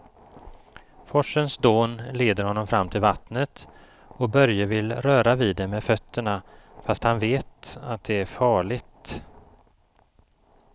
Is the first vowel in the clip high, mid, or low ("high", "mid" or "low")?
mid